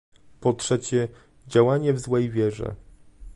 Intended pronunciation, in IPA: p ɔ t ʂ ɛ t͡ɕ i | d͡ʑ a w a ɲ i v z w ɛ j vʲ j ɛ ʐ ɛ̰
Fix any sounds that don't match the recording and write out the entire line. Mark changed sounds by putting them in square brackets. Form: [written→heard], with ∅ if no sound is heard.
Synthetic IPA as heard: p ɔ t ʂ ɛ t͡ɕ [i→ɛ] | d͡ʑ a w a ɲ [i→ɛ] v z w ɛ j vʲ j ɛ ʐ ɛ̰